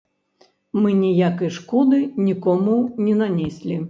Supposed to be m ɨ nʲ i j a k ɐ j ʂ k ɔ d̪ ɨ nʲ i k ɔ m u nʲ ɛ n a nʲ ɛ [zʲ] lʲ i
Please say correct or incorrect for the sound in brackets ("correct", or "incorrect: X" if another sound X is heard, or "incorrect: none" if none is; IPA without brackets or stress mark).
incorrect: sʲ